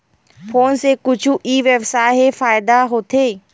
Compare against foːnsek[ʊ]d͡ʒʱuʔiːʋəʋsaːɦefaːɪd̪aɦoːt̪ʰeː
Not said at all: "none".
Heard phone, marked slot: ʊ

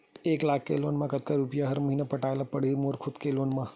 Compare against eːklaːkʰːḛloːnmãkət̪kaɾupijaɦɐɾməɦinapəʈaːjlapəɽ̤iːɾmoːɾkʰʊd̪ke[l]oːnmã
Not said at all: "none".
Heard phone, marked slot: l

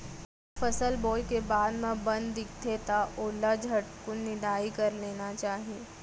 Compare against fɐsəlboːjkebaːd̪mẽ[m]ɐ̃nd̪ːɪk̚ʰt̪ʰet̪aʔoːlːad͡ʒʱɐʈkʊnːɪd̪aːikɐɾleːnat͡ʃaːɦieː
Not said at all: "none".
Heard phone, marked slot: b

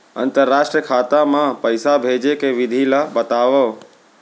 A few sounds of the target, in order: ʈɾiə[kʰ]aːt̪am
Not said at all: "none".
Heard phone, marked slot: kʰ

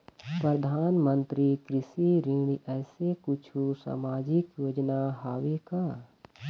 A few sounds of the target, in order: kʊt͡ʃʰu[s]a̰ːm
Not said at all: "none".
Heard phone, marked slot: s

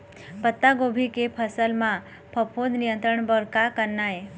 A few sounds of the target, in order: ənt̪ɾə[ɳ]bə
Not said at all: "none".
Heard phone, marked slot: ɳ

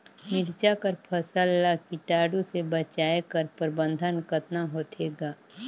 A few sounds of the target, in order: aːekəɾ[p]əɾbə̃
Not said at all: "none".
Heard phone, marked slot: p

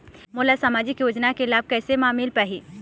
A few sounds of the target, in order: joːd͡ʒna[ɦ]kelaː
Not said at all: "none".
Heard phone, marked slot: none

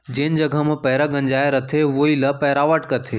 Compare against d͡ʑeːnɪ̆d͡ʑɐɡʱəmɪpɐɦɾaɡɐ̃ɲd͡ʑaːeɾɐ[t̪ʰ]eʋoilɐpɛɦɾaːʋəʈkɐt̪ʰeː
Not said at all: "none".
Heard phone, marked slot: t̪ʰ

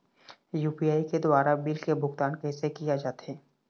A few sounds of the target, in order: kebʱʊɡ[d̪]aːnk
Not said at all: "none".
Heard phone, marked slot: t̪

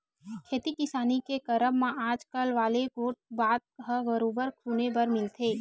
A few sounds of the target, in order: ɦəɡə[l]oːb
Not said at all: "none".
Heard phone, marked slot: ɾ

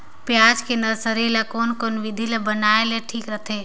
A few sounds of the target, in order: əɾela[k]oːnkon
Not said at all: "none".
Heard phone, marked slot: k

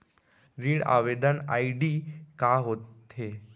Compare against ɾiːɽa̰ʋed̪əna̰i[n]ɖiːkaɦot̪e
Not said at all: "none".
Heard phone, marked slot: none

